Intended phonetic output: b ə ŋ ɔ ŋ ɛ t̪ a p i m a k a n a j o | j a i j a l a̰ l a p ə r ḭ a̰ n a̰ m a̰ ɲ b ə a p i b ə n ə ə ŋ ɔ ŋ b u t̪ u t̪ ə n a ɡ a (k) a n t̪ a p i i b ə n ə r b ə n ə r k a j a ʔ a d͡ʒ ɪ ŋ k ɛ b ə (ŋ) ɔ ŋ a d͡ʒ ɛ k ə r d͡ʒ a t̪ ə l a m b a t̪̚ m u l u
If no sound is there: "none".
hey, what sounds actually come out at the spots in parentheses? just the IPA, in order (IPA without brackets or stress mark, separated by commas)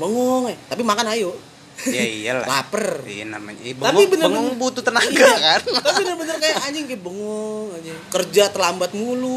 k, ŋ